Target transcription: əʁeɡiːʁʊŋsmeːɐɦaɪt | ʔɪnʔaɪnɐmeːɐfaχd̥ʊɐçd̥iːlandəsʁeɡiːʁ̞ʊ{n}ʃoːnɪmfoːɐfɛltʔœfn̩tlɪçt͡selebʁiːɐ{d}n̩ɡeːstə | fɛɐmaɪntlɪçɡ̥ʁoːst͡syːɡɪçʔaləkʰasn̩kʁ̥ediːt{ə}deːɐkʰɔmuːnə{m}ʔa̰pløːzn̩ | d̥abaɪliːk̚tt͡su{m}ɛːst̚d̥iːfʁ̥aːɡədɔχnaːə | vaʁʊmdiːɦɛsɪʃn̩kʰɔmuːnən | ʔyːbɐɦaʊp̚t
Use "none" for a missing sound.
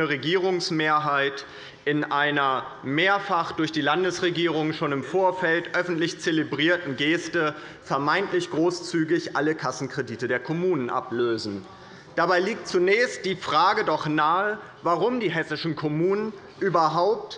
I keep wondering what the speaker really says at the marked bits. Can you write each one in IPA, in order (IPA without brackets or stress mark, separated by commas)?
ŋ, t, ə, n, n